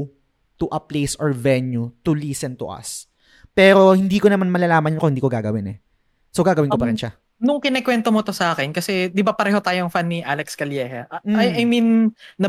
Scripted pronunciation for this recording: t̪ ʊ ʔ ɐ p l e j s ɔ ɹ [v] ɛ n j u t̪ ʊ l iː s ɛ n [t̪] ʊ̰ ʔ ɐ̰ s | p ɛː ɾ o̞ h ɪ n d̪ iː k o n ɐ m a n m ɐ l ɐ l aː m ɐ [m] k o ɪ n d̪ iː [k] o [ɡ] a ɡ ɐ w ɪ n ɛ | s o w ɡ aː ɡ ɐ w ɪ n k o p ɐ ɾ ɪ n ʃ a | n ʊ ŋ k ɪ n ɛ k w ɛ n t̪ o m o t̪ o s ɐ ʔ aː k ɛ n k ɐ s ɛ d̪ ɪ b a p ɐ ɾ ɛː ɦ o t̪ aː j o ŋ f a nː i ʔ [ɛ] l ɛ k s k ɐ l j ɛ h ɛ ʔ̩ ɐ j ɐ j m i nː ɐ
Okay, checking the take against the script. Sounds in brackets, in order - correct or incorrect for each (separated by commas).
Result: correct, correct, incorrect, correct, correct, incorrect